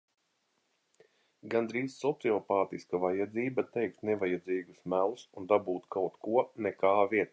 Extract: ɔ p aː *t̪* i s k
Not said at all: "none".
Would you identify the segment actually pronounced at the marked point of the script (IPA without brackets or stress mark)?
t̪